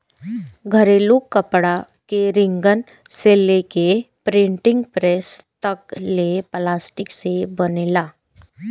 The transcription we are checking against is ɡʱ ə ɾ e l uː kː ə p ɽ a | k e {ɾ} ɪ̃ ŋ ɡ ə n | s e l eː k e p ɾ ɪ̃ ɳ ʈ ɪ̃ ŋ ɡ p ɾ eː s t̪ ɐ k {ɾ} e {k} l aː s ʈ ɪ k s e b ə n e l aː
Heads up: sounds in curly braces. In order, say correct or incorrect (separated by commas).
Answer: correct, incorrect, incorrect